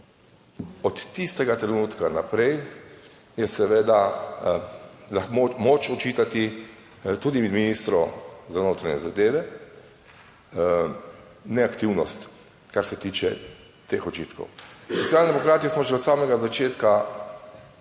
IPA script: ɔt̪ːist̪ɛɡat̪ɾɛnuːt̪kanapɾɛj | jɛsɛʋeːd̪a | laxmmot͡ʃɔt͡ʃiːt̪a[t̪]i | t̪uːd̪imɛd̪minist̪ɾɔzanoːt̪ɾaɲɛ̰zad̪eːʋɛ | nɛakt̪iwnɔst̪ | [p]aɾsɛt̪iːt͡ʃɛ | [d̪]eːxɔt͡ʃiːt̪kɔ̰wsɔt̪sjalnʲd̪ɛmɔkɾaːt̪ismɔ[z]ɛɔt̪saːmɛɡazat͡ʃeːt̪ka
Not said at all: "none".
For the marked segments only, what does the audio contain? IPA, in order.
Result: t̪, k, t̪, ʒ

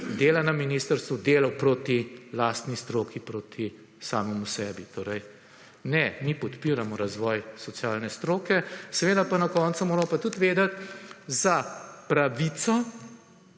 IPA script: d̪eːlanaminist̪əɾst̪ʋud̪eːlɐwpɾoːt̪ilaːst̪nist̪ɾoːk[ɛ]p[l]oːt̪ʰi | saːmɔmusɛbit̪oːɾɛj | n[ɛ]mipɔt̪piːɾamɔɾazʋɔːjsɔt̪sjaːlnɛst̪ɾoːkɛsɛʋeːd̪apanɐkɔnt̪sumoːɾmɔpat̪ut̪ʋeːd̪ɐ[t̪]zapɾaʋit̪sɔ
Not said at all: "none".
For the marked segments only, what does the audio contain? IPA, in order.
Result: i, ɾ, ɛ, t̪

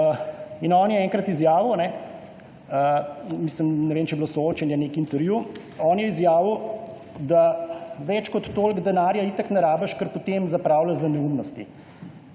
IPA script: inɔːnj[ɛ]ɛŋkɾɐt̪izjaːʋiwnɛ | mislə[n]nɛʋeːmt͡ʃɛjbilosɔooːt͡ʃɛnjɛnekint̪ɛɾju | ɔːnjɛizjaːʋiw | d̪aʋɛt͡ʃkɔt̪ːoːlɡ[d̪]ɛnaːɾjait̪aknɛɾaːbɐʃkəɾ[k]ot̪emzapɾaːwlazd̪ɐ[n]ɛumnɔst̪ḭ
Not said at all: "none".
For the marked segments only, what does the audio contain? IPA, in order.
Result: ɛ, m, d̪, p, n

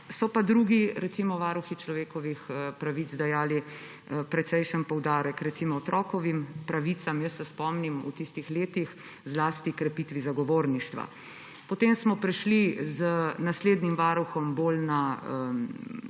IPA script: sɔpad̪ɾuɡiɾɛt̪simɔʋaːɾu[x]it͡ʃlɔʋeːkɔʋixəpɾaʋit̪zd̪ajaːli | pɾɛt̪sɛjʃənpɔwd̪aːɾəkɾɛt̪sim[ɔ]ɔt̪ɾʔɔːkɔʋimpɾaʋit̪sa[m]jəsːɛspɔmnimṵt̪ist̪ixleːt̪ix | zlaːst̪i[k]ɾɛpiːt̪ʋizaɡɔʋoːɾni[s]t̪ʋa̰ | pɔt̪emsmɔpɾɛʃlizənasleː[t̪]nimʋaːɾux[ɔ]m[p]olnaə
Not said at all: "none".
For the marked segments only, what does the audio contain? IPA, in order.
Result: x, ɔ, m, k, ʃ, d̪, ɔ, b

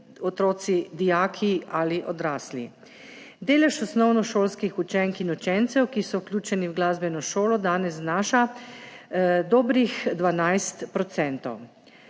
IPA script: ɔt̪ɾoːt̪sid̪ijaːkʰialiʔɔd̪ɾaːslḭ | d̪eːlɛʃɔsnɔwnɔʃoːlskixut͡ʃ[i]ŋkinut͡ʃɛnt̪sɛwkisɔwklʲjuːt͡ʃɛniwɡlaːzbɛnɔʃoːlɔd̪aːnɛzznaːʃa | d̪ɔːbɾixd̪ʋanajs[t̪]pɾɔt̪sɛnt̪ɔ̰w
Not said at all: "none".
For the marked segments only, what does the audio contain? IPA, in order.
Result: ɛ, t̪

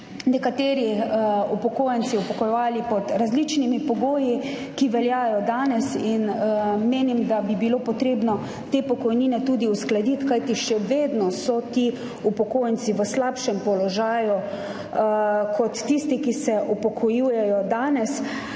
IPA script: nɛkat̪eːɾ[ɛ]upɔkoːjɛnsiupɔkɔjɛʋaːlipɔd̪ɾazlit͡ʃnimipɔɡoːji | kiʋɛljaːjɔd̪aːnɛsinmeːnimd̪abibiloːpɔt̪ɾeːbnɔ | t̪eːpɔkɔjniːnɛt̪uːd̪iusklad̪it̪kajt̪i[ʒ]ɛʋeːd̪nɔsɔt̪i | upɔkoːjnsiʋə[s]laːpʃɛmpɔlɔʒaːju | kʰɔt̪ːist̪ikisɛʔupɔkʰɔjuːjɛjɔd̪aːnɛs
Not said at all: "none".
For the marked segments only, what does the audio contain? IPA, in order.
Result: i, ʃ, s

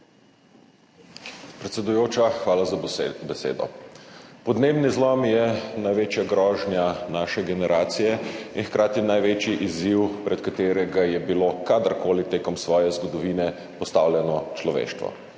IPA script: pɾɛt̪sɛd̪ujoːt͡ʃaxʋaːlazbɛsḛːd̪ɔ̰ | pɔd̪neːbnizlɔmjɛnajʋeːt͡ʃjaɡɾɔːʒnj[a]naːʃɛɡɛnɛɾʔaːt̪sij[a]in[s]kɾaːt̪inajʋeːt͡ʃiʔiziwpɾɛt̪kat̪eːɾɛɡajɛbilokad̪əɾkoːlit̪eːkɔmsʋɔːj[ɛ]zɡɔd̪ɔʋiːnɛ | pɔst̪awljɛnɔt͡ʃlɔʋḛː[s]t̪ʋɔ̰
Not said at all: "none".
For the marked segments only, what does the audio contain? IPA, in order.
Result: a, ɛ, x, ɛ, ʃ

